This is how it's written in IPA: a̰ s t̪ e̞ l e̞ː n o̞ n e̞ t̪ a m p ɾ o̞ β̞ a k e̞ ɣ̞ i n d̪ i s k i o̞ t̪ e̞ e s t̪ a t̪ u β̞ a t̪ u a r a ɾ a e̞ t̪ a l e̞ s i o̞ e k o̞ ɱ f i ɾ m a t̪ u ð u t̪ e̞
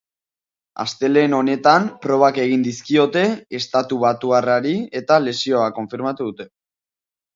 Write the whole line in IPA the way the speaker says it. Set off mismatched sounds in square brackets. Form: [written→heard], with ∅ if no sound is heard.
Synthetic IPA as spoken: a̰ s t̪ e̞ l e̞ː n o̞ n e̞ t̪ a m p ɾ o̞ β̞ a k e̞ ɣ̞ i n d̪ i s k i o̞ t̪ e̞ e s t̪ a t̪ u β̞ a t̪ u a r a ɾ [a→i] e̞ t̪ a l e̞ s i o̞ [e→a] k o̞ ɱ f i ɾ m a t̪ u ð u t̪ e̞